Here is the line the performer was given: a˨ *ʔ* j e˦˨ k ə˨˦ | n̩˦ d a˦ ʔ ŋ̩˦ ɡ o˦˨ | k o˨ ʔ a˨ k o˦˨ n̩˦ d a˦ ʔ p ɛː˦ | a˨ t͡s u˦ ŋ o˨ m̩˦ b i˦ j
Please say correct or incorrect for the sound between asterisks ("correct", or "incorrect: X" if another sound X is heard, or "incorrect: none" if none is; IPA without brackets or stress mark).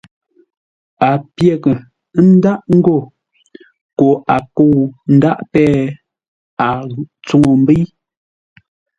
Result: incorrect: p